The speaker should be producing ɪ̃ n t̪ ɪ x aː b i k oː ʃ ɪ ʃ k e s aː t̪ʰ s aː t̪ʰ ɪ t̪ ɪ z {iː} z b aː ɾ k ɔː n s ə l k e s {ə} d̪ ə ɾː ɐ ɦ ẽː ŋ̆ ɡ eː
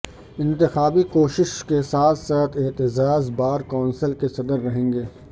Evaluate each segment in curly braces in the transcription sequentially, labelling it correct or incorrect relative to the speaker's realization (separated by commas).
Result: incorrect, incorrect